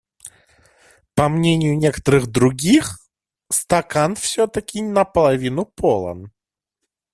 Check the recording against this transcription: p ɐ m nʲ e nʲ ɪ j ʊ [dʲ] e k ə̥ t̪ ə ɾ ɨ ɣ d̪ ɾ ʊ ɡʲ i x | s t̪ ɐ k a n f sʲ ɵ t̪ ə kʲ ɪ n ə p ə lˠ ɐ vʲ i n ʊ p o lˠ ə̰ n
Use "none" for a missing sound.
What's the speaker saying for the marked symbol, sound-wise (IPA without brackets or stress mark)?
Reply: nʲ